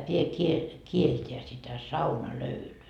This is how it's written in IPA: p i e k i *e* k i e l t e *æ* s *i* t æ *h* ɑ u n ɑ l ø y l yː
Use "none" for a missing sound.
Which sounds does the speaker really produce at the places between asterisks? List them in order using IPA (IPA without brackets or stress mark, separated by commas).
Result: e, æ, i, s